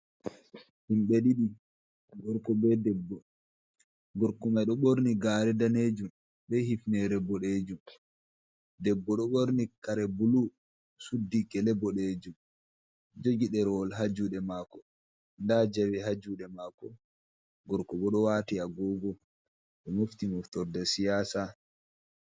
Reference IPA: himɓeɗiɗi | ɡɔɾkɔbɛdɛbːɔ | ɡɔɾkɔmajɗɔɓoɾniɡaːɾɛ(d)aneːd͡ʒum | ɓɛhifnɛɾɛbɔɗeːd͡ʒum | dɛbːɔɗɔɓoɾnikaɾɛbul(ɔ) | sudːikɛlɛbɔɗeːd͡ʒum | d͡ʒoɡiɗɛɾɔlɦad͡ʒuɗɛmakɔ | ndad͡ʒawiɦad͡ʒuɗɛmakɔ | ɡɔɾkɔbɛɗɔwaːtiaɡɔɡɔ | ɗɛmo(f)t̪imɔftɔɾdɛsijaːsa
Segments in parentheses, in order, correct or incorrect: correct, incorrect: u, correct

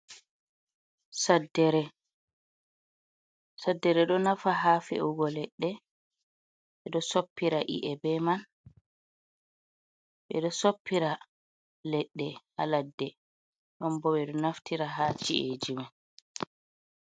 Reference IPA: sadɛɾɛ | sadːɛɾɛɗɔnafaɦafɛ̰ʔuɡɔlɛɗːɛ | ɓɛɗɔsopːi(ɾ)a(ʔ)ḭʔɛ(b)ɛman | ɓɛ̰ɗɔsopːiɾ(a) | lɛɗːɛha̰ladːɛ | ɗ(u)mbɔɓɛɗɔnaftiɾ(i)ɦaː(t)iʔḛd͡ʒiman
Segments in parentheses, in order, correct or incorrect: correct, correct, correct, correct, incorrect: ɔ, incorrect: a, incorrect: t͡ʃ

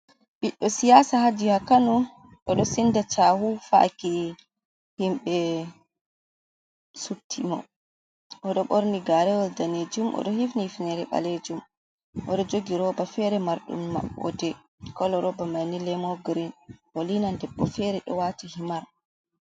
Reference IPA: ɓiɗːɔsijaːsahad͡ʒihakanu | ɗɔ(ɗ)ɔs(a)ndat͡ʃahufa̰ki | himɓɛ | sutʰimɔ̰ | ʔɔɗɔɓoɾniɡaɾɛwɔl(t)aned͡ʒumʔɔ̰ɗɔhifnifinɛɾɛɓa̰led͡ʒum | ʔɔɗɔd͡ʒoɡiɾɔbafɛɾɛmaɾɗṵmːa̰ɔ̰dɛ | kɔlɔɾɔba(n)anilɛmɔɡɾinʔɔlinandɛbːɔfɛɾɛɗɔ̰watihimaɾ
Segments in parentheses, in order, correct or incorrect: correct, incorrect: i, incorrect: d, incorrect: m

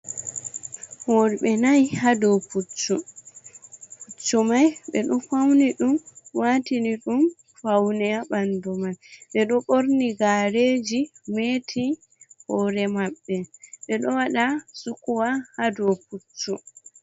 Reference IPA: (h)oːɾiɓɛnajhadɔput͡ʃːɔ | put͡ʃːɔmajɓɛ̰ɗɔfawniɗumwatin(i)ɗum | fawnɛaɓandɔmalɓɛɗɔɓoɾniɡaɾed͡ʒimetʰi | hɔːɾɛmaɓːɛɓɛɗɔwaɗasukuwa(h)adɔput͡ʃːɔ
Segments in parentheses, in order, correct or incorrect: correct, correct, correct

